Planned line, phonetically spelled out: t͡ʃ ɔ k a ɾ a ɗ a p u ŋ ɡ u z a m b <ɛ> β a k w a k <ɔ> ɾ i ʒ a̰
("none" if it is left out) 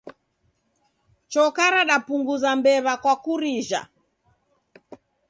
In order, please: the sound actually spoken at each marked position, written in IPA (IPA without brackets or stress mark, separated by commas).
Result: ɛ, u